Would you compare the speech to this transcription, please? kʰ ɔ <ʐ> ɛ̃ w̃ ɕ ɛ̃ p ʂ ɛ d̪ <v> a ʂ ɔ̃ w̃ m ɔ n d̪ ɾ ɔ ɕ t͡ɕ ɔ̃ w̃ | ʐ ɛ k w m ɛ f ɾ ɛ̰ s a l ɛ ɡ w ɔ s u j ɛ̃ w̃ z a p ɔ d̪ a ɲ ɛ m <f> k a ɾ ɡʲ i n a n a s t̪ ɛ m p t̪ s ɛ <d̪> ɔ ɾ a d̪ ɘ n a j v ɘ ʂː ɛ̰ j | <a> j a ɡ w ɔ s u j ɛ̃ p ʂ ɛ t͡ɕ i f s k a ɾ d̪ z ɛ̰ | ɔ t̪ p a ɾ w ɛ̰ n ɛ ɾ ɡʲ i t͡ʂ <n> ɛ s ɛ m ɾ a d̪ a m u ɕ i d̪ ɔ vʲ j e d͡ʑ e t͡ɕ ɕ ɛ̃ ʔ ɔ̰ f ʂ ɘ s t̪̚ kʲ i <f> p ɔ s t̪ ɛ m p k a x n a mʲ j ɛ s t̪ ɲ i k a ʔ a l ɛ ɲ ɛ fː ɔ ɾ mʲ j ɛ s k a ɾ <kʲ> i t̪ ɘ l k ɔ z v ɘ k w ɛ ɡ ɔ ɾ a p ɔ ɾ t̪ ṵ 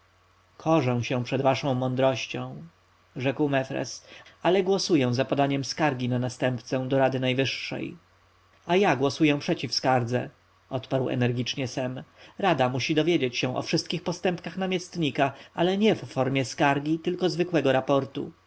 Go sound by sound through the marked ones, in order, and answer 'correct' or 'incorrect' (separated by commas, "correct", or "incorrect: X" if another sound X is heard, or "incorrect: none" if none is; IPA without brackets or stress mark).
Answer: correct, correct, incorrect: s, correct, correct, incorrect: ɲ, incorrect: x, incorrect: ɡʲ